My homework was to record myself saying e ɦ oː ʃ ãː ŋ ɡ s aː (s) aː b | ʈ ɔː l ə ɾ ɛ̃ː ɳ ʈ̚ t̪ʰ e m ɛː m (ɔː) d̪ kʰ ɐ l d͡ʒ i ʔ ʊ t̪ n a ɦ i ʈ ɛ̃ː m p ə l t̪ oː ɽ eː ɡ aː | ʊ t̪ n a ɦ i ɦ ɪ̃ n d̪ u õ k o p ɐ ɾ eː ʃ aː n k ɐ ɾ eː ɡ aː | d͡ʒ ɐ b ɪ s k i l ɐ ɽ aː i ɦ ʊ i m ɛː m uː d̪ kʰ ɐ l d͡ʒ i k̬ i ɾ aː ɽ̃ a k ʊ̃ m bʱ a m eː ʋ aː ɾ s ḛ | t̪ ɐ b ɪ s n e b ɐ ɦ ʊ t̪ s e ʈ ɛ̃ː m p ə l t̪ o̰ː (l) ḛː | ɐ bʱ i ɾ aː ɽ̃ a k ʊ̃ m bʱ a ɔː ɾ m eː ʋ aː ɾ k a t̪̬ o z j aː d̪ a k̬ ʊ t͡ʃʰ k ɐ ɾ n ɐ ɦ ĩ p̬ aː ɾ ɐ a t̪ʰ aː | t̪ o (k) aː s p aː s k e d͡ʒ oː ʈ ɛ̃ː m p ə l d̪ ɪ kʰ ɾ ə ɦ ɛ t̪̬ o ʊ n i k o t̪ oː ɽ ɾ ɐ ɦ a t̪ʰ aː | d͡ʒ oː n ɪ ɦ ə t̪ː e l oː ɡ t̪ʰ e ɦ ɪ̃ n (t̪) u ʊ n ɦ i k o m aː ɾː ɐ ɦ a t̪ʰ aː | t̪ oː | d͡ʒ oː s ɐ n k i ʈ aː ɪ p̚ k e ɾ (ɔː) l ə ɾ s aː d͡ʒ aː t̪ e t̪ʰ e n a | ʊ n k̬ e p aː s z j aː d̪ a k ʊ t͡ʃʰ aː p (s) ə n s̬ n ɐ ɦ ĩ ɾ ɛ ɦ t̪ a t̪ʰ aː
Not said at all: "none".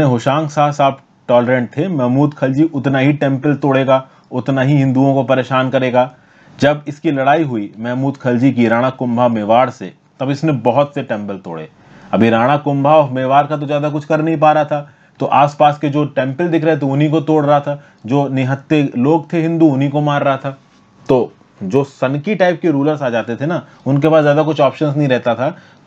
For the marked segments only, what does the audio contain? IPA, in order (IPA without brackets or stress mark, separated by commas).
s, uː, ɽ, ʔ, d̪, uː, ʃ